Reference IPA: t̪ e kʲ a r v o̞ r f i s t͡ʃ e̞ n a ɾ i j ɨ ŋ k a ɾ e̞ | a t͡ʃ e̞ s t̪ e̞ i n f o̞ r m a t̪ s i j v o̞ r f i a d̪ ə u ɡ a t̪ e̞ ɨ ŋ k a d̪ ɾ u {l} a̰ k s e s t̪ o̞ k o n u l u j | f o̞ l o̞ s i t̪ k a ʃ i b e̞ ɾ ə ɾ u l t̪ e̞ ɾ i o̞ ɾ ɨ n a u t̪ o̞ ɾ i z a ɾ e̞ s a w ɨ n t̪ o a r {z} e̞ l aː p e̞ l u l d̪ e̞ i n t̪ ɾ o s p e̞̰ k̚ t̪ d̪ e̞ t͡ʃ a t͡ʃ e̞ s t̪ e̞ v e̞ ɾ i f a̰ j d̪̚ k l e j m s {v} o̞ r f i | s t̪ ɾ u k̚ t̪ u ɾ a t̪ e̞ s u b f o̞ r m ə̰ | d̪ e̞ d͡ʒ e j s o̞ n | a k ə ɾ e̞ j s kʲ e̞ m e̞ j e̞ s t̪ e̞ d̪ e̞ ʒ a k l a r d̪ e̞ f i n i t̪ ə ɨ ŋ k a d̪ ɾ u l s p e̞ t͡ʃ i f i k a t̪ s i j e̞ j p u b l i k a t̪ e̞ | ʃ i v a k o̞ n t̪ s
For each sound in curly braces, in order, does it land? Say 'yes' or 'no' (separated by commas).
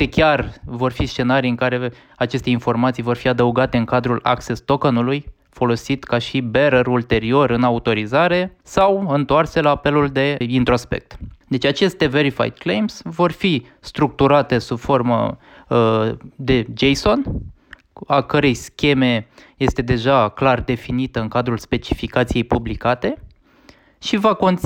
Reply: yes, no, yes